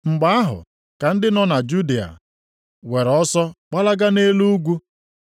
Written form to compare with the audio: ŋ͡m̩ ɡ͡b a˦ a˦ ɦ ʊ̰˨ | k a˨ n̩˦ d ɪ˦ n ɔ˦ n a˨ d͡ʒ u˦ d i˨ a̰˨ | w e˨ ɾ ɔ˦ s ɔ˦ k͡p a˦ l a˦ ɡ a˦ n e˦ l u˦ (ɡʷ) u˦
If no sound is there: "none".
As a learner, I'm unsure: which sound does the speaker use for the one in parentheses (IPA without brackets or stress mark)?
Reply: ɡʷ